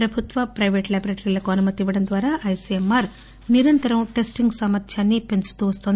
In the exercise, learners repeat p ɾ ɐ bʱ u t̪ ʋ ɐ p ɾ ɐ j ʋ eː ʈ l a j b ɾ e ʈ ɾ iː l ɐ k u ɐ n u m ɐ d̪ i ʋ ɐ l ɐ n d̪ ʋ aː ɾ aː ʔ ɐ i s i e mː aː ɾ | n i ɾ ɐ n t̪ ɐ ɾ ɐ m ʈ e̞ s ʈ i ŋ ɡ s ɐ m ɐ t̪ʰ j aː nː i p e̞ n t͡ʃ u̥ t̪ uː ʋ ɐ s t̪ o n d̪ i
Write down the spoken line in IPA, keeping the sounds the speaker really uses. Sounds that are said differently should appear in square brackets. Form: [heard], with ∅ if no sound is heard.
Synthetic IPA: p ɾ ɐ bʱ u t̪ ʋ ɐ p ɾ ɐ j ʋ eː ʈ l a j b ɾ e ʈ ɾ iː l ɐ k u ɐ n u m ɐ [t̪] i ʋ ɐ [ɽ] ɐ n d̪ ʋ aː ɾ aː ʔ ɐ [j] s i e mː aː ɾ | n i ɾ ɐ n t̪ ɐ ɾ ɐ m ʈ e̞ s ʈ i ŋ ɡ s ɐ m ɐ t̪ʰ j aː nː i p e̞ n t͡ʃ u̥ t̪ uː ʋ ɐ s t̪ o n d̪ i